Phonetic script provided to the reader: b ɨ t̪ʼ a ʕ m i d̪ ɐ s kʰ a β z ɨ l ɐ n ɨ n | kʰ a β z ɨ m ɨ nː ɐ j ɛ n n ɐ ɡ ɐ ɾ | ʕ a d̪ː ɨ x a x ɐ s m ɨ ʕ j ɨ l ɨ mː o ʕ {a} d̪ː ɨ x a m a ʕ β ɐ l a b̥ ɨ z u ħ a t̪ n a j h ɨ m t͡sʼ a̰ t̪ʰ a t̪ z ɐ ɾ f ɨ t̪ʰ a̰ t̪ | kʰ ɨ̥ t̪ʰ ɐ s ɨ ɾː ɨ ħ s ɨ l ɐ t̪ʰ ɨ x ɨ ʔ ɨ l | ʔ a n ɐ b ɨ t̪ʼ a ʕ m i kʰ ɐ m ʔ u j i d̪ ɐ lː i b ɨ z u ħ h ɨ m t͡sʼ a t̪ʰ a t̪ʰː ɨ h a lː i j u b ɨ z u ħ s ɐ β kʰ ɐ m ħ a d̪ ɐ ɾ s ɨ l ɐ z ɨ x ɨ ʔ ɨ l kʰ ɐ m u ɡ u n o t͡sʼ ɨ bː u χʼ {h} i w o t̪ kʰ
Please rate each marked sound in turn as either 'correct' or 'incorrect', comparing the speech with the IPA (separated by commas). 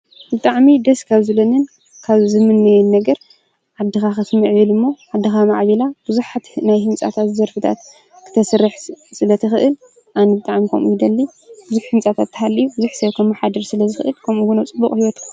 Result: correct, correct